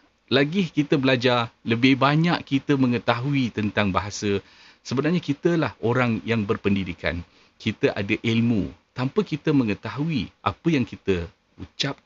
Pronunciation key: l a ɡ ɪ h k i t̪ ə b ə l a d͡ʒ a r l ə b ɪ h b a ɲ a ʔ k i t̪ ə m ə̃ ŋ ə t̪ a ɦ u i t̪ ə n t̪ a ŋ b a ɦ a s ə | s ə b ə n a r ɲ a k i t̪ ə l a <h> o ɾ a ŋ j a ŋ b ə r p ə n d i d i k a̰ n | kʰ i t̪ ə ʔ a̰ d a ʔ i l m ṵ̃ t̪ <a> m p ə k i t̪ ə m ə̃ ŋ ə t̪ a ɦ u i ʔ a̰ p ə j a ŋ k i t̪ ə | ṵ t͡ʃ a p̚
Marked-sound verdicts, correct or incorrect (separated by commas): correct, correct